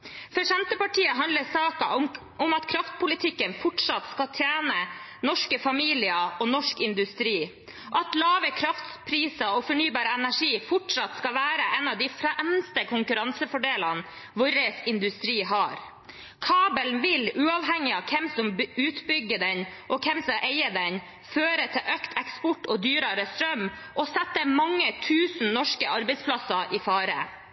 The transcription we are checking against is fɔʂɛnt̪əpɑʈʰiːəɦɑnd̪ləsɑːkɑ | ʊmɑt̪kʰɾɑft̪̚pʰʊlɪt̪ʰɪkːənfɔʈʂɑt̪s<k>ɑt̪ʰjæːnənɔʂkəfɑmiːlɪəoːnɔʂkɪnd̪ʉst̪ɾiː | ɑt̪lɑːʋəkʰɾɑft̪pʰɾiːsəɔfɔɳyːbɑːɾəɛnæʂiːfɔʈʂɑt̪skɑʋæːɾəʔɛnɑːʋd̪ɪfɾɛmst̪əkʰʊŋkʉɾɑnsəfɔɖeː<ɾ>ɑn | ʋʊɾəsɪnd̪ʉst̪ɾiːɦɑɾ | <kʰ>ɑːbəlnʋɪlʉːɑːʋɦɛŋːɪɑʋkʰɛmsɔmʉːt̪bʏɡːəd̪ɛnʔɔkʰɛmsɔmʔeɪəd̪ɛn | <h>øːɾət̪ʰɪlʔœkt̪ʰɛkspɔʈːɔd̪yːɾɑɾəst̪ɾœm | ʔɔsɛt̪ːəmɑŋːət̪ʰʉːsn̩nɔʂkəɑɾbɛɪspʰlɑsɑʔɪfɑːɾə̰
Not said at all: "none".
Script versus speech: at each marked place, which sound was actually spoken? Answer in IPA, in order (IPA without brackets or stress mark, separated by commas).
k, l, kʰ, f